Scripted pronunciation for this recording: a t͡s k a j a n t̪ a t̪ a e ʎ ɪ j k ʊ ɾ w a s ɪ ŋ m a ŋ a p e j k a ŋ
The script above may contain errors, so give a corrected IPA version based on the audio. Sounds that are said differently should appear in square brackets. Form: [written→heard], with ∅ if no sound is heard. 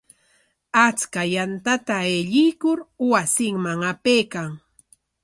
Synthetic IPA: a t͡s k a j a n t̪ a t̪ a e ʎ ɪ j k ʊ ɾ w a s ɪ ŋ m a ŋ a p e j k a ŋ